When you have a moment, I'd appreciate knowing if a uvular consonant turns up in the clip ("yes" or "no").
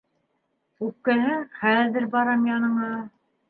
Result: yes